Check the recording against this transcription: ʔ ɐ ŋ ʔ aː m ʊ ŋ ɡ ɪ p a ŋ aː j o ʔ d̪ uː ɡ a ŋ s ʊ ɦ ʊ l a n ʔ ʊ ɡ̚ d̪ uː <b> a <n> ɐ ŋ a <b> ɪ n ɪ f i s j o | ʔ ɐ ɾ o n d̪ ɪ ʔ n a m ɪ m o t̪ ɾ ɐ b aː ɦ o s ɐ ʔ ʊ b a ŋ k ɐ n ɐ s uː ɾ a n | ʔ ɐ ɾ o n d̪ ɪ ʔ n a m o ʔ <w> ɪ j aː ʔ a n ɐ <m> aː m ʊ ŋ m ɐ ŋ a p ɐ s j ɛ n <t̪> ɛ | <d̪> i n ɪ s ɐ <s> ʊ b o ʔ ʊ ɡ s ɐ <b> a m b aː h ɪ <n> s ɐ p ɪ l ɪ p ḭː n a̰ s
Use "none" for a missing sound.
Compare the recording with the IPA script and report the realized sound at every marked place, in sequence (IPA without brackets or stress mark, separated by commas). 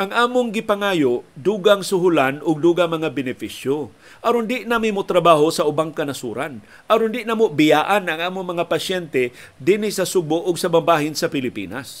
ɡ, m, b, b, ŋ, t̪, d̪, s, b, n